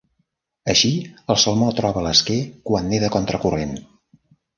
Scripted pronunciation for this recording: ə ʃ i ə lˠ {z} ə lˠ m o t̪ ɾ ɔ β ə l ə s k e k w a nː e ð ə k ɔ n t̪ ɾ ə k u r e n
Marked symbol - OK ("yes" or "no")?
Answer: no